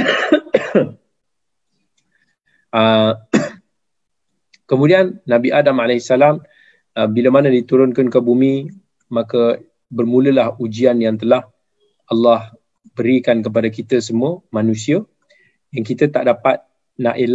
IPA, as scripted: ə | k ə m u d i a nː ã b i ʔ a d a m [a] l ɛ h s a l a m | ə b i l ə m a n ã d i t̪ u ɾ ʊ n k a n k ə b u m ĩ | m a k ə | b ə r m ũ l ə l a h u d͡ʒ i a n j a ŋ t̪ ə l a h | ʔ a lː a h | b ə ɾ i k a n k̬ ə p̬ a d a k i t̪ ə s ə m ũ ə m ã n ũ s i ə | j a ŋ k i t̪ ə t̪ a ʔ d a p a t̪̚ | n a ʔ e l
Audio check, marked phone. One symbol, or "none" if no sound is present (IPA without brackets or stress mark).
a